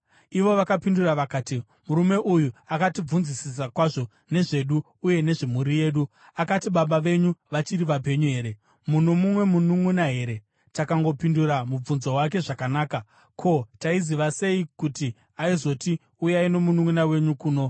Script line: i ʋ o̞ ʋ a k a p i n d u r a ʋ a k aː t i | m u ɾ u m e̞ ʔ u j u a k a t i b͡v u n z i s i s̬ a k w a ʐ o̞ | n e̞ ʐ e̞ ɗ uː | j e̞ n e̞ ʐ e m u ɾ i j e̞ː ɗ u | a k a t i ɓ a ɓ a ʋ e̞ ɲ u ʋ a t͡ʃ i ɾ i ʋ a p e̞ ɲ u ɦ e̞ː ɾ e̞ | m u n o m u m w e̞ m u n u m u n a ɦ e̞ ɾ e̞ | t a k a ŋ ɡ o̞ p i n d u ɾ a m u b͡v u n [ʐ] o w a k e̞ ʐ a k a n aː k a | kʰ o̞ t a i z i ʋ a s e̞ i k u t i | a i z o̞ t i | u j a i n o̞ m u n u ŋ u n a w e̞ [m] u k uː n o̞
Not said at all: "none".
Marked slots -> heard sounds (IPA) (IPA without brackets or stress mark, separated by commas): z, ɲ